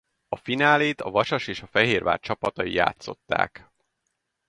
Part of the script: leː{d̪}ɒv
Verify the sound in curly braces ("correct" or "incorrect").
incorrect